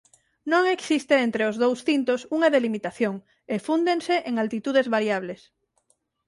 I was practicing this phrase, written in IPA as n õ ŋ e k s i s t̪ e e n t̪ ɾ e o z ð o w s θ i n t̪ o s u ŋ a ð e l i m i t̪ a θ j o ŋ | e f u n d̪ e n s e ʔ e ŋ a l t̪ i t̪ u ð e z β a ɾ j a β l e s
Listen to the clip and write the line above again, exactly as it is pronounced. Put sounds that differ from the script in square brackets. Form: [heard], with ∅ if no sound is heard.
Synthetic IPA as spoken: n õ ŋ e k s i s t̪ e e n t̪ ɾ e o z ð o w s θ i n t̪ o s u ŋ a ð e l i m i t̪ a θ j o ŋ | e f u n d̪ e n s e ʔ e ŋ a l t̪ i t̪ u ð e z β a ɾ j a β l e s